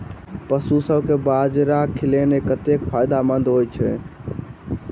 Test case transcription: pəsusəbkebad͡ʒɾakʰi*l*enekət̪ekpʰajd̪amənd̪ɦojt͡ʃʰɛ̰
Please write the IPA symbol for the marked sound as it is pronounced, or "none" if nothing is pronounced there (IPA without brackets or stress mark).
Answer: l